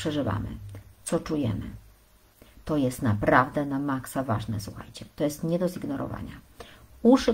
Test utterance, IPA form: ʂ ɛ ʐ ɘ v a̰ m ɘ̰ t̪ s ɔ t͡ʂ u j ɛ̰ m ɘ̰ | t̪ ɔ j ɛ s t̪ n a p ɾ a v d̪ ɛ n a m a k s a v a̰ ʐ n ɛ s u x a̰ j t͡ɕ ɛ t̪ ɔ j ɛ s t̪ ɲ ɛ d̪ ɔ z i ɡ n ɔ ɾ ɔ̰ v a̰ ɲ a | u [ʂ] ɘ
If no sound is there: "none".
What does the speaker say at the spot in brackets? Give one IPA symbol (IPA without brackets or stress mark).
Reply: ʂ